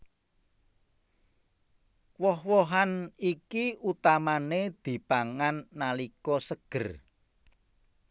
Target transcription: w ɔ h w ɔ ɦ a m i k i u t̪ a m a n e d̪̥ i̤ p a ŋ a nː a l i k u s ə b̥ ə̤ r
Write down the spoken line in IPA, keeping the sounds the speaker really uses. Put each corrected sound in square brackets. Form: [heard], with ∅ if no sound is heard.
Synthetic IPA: w ɔ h w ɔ ɦ a [n] i k i u t̪ a m a n e d̪̥ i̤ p a ŋ a nː a l i k [ɔ] s ə [ɡ̥] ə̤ r

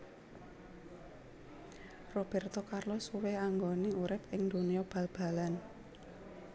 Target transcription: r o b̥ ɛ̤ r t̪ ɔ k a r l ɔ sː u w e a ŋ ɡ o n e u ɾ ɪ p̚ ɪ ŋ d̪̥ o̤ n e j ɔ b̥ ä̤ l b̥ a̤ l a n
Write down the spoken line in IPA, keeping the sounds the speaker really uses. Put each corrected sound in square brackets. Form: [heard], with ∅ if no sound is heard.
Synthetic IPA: r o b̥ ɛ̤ r t̪ ɔ k a r l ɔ [s] u w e a ŋ ɡ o n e u ɾ ɪ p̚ ɪ ŋ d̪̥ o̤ n [i] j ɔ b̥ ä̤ l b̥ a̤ l a n

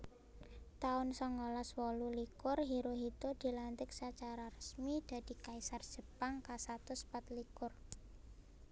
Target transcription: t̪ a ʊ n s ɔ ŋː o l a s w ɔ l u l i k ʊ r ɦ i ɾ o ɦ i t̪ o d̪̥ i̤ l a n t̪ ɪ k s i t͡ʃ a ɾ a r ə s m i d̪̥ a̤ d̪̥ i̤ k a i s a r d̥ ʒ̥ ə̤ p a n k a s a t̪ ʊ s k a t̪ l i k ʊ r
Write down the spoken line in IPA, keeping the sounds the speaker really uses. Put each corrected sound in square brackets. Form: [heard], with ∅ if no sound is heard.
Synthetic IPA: t̪ a ʊ n s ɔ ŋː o l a s w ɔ l u l i k ʊ r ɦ i ɾ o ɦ i t̪ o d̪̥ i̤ l a n t̪ ɪ k s [a] t͡ʃ a ɾ a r ə s m i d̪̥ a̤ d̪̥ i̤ k a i s a r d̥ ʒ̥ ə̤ p a [ŋ] k a s a t̪ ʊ s [p] a t̪ l i k ʊ r

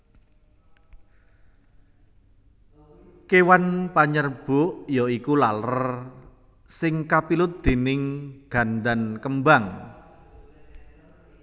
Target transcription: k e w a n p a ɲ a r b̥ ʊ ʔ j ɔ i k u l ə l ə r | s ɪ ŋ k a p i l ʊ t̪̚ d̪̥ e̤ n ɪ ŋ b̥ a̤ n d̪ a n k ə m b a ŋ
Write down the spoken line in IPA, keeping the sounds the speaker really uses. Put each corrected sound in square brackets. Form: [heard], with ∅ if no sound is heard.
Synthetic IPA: k e w a n p a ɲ [ə] r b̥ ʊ ʔ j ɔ i k u l [a] l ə r | s ɪ ŋ k a p i l ʊ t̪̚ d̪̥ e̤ n ɪ ŋ [ɡ̥] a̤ n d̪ a n k ə m b a ŋ

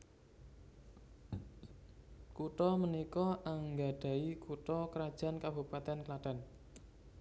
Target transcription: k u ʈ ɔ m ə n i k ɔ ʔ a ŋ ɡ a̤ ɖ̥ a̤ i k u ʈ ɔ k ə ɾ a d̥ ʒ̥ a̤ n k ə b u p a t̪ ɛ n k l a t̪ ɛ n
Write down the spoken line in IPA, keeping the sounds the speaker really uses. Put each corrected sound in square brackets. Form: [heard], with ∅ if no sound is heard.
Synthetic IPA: k u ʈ ɔ m ə n i k ɔ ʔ a ŋ ɡ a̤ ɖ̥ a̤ i k u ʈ ɔ k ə ɾ a d̥ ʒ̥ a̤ n k [a] b u p a t̪ ɛ n k l a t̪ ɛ n

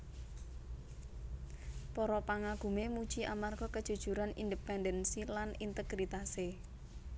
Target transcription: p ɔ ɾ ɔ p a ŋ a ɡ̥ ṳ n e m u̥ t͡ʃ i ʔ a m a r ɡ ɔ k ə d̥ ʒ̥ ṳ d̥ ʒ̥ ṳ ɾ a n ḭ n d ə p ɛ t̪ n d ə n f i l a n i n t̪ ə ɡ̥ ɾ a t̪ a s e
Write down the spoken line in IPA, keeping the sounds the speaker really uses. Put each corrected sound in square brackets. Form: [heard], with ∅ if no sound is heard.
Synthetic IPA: p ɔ ɾ ɔ p a ŋ a ɡ̥ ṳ [m] e m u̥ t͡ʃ i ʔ a m a r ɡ ɔ k ə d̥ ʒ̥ ṳ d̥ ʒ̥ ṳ ɾ a n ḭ n d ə p ɛ [∅] n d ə n [s] i l a n i n t̪ ə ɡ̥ ɾ [i] t̪ a s e

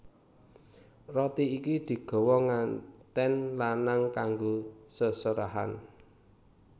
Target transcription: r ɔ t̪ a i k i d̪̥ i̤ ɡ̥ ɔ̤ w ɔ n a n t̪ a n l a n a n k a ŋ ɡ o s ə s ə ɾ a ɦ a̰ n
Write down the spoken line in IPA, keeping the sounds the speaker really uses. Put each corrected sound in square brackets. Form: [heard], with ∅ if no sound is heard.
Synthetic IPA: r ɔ t̪ [i] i k i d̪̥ i̤ ɡ̥ ɔ̤ w ɔ [ŋ] a n t̪ [ɛ] n l a n a [ŋ] k a ŋ ɡ o s ə s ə ɾ a ɦ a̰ n

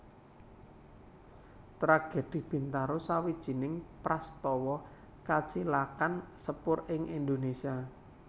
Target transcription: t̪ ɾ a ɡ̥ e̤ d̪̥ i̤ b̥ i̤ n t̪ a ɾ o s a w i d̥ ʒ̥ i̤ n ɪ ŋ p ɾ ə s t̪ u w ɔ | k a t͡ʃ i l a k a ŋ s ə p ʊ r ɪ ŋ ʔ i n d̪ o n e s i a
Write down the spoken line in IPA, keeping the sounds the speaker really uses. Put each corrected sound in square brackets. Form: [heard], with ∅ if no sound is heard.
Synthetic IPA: t̪ ɾ a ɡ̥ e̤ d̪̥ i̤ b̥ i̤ n t̪ a ɾ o s a w i d̥ ʒ̥ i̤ n ɪ ŋ p ɾ [a] s t̪ [ɔ] w ɔ | k a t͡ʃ i l a k a [n] s ə p ʊ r ɪ ŋ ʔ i n d̪ o n e s i a

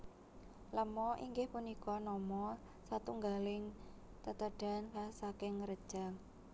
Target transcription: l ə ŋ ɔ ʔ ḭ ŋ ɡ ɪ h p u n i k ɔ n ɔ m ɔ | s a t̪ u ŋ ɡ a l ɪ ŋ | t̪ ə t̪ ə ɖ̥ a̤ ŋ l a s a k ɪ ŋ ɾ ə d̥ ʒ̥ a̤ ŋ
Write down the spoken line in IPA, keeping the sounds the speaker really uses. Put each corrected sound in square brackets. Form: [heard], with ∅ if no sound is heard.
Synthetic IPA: l ə [m] ɔ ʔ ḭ ŋ ɡ ɪ h p u n i k ɔ n ɔ m ɔ | s a t̪ u ŋ ɡ a l ɪ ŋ | t̪ ə t̪ ə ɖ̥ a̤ [n] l a s a k ɪ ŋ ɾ ə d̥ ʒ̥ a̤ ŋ

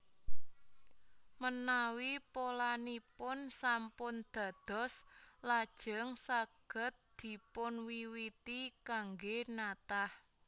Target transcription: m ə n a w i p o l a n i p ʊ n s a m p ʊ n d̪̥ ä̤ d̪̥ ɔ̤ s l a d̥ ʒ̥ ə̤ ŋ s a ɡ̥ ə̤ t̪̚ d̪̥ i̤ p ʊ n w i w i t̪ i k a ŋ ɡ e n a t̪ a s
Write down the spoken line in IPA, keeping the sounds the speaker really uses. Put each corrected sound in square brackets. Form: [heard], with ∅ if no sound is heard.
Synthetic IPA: m ə n a w i p o l a n i p ʊ n s a m p ʊ n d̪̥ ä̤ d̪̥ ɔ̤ s l a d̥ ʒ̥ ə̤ ŋ s a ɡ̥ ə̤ t̪̚ d̪̥ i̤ p ʊ n w i w i t̪ i k a ŋ ɡ e n a t̪ a [h]

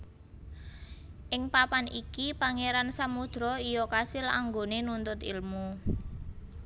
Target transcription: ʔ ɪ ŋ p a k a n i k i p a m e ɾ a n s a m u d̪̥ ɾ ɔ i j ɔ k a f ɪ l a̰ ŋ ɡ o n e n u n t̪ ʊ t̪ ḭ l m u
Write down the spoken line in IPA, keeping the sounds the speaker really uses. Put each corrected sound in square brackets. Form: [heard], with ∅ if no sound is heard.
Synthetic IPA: ʔ ɪ ŋ p a [p] a n i k i p a [ŋ] e ɾ a n s a m u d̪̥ ɾ ɔ i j ɔ k a [s] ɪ l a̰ ŋ ɡ o n e n u n t̪ ʊ t̪ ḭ l m u

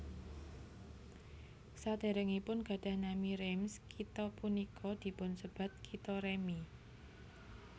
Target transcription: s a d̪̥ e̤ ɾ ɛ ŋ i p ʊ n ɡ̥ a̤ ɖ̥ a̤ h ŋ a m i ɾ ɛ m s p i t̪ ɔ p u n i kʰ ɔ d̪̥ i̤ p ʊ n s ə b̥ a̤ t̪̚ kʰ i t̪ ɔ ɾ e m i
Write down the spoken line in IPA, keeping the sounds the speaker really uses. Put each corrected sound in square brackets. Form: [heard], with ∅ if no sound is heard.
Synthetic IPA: s a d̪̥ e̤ ɾ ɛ ŋ i p ʊ n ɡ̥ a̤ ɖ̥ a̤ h [n] a m i ɾ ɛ m s [k] i t̪ ɔ p u n i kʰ ɔ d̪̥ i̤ p ʊ n s ə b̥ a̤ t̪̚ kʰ i t̪ ɔ ɾ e m i

